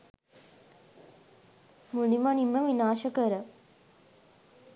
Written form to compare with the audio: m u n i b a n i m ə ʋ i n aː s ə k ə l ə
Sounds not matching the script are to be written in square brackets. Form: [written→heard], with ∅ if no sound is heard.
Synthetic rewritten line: m u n i [b→m] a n i m ə ʋ i n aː [s→ʃ] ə k ə [l→ɾ] ə